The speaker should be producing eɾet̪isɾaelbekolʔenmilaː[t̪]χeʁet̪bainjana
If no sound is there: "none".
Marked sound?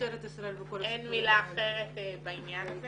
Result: none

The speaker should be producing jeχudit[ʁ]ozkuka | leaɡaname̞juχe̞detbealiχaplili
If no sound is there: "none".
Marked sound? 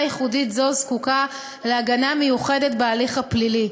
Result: z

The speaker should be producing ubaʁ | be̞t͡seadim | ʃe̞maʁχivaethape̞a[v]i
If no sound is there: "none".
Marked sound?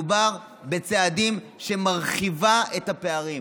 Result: ʁ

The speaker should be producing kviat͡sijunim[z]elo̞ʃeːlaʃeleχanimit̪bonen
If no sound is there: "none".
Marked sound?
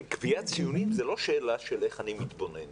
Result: z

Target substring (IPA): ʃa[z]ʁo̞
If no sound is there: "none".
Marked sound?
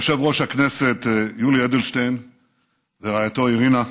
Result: v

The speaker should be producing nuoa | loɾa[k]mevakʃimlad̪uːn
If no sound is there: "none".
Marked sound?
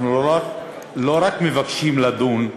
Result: k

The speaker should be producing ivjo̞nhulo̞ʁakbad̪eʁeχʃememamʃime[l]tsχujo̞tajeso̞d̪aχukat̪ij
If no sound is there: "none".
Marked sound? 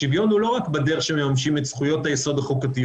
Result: none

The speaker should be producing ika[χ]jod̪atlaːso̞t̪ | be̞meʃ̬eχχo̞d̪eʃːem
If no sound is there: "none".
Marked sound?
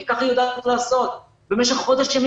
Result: χ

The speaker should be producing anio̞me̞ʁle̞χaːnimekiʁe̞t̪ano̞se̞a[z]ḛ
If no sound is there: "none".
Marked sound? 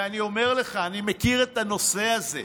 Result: z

